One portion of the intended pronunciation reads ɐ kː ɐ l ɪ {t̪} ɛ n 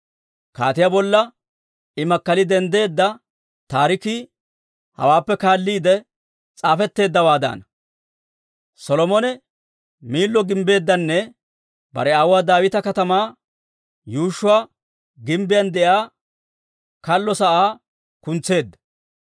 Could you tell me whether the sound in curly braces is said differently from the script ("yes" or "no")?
yes